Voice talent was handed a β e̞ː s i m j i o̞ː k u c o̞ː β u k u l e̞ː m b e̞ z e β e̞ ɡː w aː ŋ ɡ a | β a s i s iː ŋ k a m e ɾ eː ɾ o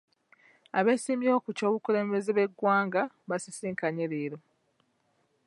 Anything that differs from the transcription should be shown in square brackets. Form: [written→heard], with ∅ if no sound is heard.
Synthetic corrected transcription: a β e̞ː s i m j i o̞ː k u c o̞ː β u k u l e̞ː m b e̞ z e β e̞ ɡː w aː ŋ ɡ a | β a s i s iː ŋ k a [m→ɲ] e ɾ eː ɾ o